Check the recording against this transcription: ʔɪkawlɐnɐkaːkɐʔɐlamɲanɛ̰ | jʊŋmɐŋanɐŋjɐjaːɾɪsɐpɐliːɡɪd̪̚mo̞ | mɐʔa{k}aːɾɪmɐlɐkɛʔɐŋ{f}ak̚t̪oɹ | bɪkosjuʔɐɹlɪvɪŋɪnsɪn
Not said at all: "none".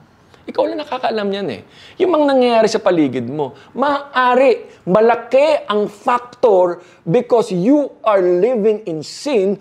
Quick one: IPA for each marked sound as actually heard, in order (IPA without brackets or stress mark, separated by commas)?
ʔ, f